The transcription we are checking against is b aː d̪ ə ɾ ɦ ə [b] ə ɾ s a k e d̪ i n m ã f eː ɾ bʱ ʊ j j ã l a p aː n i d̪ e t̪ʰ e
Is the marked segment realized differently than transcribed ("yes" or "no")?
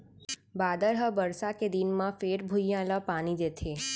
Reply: no